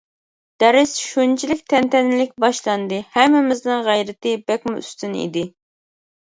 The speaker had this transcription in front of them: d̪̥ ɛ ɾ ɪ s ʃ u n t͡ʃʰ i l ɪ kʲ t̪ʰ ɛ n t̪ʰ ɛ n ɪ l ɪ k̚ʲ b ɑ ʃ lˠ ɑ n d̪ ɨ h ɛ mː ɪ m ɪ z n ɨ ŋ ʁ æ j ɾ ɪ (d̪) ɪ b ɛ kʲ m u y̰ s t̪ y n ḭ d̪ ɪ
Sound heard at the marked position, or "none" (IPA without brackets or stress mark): t̪